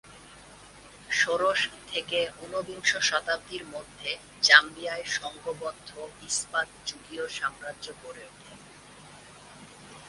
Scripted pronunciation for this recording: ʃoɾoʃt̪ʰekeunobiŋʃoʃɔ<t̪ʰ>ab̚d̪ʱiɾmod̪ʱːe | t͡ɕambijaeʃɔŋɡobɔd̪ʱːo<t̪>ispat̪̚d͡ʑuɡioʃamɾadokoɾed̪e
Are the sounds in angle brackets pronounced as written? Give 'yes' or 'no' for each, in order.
no, no

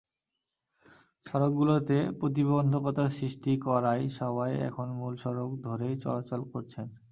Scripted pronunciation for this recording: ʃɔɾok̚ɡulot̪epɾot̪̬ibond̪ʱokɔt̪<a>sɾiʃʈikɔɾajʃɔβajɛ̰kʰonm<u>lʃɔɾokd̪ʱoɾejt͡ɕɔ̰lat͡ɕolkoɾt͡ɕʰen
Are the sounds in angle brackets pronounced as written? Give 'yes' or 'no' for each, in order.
yes, yes

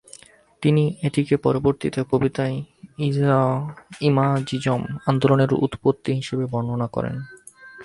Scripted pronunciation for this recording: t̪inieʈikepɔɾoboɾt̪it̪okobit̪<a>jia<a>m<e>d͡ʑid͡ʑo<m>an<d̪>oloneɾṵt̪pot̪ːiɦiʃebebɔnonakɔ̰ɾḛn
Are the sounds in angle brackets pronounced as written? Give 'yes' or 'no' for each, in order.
yes, no, no, yes, yes

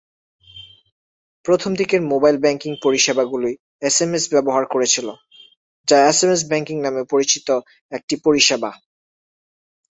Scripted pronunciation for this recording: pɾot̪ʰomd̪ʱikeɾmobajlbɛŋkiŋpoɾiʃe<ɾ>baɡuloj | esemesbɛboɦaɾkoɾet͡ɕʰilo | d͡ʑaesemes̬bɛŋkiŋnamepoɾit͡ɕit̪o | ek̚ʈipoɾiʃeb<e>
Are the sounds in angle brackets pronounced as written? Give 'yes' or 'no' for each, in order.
no, no

